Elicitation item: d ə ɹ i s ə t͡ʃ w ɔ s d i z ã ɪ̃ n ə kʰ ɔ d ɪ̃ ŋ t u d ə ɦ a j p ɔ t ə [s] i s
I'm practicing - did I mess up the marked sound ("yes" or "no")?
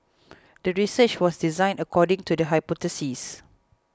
no